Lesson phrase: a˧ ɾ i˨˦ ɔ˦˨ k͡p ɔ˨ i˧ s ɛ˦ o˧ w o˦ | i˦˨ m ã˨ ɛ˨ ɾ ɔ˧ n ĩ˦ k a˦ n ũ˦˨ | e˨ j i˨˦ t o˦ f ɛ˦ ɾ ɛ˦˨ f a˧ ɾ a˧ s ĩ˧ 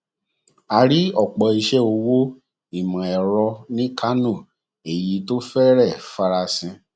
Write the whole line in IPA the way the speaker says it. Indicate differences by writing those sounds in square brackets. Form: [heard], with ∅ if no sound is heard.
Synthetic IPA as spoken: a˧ ɾ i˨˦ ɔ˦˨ k͡p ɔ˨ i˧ [ʃ] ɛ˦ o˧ w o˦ | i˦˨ m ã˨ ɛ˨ ɾ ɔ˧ n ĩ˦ k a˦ n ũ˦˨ | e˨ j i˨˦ t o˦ f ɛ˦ ɾ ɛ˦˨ f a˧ ɾ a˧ s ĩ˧

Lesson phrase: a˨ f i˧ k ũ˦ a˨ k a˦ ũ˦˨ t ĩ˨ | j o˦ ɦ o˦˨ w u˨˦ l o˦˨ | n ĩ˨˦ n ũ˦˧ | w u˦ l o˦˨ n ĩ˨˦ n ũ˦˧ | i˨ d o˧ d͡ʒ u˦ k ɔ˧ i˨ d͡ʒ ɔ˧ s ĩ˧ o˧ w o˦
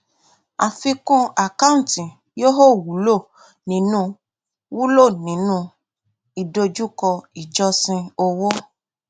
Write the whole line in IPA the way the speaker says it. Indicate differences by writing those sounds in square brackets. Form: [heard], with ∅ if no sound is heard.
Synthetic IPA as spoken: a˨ f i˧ k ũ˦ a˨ k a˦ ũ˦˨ t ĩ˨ | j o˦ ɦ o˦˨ w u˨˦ l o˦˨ | n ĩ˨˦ n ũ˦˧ | w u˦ l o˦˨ n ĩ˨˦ n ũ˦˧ | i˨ d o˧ d͡ʒ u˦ k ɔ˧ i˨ d͡ʒ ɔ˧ s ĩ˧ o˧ w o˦

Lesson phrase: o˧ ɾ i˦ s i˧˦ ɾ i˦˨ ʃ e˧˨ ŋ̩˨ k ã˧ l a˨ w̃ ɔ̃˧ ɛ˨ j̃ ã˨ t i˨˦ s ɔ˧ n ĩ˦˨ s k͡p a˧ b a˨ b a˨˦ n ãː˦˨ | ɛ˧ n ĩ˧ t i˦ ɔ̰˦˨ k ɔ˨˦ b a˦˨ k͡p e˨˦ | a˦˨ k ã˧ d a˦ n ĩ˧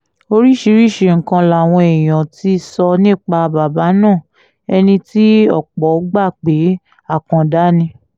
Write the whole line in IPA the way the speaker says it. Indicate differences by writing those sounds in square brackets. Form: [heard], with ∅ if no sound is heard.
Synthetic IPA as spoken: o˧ ɾ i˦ [ʃ] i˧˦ ɾ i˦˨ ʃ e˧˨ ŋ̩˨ k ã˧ l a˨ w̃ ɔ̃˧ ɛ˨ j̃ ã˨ t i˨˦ s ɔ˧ n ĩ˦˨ [∅] k͡p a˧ b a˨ b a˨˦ n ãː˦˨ | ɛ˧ n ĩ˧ t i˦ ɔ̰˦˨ [k͡p] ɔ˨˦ [ɡ͡b] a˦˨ k͡p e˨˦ | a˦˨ k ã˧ d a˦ n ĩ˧

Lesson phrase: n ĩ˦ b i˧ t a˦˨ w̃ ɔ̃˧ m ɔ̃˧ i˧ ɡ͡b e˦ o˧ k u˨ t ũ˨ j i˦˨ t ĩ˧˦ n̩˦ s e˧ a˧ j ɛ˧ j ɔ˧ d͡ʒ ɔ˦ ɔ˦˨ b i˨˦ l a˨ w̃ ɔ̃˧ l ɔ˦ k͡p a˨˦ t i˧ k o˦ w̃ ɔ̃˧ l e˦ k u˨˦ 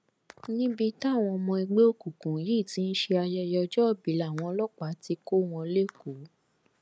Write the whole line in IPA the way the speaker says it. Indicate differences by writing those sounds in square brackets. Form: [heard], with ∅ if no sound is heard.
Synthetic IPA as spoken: n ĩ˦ b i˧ t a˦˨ w̃ ɔ̃˧ m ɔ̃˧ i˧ ɡ͡b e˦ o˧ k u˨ [k] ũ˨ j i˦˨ t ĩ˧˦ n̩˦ [ʃ] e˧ a˧ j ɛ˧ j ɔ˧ d͡ʒ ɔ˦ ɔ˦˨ b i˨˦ l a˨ w̃ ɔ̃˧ l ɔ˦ k͡p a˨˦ t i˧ k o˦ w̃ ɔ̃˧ l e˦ k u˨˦

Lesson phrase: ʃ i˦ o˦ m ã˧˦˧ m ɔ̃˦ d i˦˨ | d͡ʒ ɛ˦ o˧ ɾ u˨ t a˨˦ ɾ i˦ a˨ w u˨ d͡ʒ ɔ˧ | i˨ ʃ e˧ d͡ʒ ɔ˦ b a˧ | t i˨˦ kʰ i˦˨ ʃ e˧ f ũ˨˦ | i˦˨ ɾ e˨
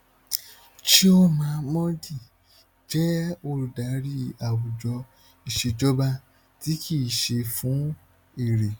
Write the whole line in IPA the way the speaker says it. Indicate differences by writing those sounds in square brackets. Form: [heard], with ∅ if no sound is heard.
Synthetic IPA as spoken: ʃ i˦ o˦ m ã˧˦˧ m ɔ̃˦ d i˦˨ | d͡ʒ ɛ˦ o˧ ɾ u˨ [d] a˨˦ ɾ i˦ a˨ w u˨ d͡ʒ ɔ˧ | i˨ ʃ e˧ d͡ʒ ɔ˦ b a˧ | t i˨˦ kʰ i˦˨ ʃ e˧ f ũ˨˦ | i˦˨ ɾ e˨

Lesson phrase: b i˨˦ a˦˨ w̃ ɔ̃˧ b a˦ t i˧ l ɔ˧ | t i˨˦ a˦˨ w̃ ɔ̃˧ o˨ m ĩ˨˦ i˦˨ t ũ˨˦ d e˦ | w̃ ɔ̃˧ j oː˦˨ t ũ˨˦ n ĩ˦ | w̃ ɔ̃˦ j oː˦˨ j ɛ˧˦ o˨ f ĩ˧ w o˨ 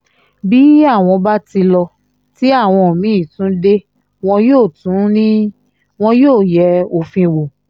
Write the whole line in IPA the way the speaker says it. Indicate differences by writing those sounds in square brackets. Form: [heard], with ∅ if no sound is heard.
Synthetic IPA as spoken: b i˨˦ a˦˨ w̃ ɔ̃˧ b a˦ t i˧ l ɔ˧ | t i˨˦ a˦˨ w̃ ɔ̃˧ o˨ m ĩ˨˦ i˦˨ t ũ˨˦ d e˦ | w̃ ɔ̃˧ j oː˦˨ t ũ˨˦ n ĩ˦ | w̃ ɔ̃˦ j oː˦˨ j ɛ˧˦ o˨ f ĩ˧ w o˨

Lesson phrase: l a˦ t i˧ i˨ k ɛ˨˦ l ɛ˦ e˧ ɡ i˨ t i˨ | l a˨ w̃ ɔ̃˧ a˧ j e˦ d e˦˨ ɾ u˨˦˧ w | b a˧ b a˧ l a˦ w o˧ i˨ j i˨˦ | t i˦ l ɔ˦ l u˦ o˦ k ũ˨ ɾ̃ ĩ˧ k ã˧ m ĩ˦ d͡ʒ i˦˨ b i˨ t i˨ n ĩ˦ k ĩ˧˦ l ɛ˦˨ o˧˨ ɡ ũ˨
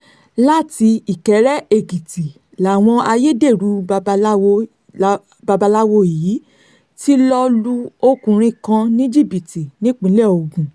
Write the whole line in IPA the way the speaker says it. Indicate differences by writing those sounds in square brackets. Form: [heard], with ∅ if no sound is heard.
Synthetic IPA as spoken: l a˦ t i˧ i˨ k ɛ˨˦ [ɾ] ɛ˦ e˧ ɡ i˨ t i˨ | l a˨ w̃ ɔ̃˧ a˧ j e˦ d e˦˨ ɾ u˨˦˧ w | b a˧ b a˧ l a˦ w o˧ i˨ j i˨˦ | t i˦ l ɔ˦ l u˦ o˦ k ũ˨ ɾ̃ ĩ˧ k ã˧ [n] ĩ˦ d͡ʒ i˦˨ b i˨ t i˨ n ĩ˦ [k͡p] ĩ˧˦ l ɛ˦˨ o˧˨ ɡ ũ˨

